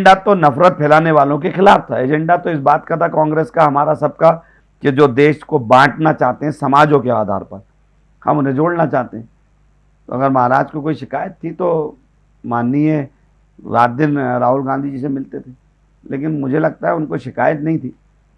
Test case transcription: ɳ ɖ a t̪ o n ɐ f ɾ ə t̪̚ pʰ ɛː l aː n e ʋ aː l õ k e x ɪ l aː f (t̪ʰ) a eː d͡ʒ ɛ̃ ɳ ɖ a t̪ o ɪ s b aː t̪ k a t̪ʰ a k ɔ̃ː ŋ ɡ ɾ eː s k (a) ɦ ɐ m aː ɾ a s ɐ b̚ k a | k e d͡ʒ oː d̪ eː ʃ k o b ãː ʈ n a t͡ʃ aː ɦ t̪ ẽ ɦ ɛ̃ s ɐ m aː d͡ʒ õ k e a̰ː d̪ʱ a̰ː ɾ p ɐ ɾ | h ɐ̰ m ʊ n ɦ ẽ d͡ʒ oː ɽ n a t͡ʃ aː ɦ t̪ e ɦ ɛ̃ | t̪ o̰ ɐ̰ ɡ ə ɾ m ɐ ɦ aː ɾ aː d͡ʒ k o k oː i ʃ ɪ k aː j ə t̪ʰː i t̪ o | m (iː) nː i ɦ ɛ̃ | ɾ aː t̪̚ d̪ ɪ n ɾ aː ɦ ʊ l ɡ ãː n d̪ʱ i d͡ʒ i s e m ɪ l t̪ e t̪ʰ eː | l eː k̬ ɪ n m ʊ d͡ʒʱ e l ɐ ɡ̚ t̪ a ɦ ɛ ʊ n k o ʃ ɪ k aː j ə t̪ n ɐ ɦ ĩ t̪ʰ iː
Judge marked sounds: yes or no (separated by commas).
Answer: yes, yes, no